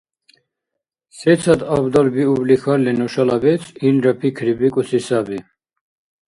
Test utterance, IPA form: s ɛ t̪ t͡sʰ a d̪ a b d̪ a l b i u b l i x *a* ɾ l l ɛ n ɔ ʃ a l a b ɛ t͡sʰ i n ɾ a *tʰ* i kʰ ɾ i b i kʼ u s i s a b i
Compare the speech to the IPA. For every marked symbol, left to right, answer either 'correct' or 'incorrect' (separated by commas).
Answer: correct, incorrect